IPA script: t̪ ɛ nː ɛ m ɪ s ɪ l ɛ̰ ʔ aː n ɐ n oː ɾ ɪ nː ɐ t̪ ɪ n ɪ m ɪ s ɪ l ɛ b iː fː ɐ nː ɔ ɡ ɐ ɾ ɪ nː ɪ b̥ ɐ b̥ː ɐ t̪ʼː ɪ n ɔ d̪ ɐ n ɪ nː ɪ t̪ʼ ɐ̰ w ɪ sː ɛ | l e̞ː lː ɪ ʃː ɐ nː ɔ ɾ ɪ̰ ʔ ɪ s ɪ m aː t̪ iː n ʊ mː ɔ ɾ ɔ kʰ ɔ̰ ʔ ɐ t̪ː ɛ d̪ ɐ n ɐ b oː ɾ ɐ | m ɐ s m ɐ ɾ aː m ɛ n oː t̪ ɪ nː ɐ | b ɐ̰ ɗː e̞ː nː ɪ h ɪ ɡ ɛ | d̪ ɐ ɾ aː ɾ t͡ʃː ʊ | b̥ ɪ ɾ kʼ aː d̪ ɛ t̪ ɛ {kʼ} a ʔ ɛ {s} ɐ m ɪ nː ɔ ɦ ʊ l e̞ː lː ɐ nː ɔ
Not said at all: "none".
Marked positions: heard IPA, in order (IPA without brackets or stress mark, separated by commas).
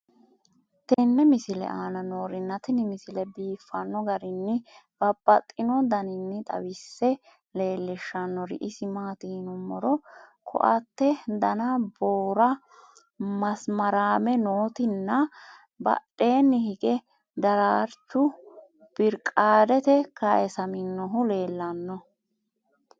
k, s